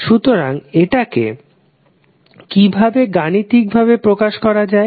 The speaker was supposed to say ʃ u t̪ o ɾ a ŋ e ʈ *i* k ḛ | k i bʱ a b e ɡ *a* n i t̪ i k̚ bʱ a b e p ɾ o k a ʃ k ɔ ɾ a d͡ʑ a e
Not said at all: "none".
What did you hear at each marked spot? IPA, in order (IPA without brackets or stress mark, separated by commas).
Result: a, a